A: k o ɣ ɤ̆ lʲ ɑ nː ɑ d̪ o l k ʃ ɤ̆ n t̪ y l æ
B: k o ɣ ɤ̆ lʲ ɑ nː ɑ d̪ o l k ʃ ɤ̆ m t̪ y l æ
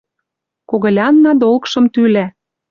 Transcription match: B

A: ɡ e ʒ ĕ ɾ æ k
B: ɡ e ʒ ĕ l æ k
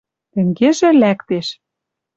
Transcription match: B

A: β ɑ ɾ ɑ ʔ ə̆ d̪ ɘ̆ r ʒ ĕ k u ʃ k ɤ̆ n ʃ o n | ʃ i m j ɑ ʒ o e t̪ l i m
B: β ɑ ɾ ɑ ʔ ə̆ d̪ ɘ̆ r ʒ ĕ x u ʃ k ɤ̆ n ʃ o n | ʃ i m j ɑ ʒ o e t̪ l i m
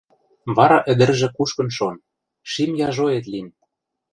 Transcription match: A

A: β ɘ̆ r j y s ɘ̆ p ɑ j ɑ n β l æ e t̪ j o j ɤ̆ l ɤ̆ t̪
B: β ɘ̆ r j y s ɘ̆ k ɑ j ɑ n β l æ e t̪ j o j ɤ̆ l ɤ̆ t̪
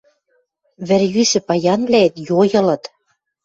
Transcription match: A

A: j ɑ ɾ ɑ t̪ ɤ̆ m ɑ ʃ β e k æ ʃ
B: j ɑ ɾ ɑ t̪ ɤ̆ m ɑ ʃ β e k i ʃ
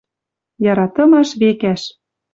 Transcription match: A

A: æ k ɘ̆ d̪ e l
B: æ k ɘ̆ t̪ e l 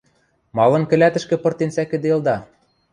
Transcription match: A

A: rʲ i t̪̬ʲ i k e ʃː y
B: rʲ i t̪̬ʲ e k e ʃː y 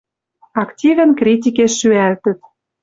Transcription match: A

